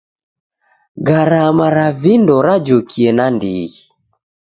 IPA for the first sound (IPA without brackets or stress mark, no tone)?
ɡ